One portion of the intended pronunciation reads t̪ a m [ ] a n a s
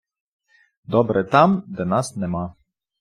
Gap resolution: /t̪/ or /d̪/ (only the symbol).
d̪